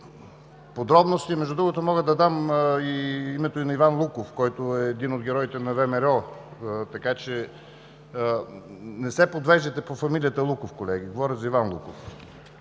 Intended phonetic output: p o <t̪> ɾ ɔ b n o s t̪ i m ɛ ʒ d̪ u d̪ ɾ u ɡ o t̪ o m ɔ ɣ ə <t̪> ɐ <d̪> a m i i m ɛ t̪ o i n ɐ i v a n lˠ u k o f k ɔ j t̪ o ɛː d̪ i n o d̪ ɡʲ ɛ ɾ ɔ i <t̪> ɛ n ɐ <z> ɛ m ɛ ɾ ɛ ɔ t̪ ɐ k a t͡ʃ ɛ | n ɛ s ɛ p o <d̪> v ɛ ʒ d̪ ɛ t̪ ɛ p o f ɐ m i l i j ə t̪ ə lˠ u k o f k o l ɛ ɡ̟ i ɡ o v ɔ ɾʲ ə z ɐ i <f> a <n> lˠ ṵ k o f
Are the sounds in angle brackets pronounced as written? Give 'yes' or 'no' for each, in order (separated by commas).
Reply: no, no, yes, yes, no, yes, no, yes